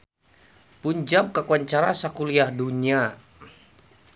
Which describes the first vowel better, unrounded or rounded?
rounded